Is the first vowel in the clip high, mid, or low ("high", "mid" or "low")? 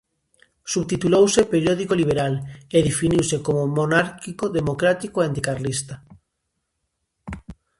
high